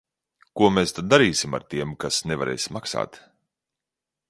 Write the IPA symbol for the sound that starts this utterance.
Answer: k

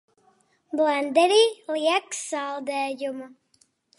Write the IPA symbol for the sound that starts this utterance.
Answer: b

